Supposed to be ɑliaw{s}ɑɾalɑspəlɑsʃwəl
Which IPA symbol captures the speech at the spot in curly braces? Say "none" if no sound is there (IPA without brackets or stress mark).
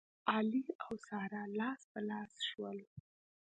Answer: s